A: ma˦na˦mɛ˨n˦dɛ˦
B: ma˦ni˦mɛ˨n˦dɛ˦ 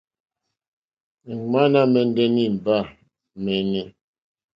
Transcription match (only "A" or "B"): A